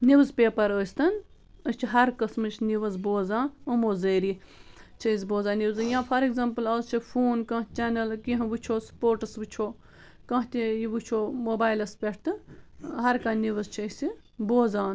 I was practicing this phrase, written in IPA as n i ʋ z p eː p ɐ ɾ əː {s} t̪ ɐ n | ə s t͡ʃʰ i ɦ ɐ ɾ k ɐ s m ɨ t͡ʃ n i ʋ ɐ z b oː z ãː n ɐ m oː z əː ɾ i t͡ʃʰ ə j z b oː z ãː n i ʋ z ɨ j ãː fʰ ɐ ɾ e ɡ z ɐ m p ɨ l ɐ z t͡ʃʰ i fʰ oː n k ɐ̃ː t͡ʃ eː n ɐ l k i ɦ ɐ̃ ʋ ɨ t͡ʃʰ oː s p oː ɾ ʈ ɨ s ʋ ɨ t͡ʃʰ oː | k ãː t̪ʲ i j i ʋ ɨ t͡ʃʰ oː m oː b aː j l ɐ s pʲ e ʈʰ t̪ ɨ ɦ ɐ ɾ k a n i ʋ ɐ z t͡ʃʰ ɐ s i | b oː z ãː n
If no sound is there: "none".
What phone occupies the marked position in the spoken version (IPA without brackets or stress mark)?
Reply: s